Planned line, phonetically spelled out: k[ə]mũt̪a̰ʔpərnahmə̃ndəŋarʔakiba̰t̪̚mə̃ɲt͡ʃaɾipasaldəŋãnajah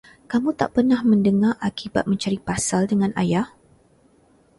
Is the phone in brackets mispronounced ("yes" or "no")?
yes